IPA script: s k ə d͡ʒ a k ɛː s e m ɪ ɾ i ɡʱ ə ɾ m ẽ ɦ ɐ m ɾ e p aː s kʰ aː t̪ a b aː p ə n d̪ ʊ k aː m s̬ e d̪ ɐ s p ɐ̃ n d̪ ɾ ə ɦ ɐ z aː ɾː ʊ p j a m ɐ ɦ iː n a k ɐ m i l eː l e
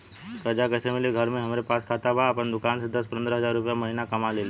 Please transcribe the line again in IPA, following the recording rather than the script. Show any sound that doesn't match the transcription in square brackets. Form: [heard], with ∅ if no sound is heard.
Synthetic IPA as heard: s k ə d͡ʒ a k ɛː s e m ɪ [l] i ɡʱ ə ɾ m ẽ ɦ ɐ m ɾ e p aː s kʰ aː t̪ a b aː p ə n d̪ ʊ k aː [n] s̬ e d̪ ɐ s p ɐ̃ n d̪ ɾ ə ɦ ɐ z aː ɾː ʊ p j a m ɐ ɦ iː n a k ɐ m [a] l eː l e